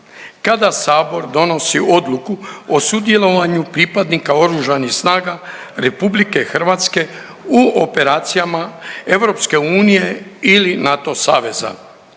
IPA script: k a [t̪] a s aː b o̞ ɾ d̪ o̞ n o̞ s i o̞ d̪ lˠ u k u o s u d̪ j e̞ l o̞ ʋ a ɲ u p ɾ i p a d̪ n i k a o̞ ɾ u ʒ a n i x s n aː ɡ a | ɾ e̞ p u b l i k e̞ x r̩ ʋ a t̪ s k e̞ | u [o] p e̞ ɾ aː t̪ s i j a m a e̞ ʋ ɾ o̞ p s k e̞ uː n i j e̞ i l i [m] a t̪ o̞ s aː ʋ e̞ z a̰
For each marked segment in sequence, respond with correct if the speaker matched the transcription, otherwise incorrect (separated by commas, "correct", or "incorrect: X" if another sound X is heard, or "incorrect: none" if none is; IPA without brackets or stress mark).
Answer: incorrect: d̪, correct, incorrect: n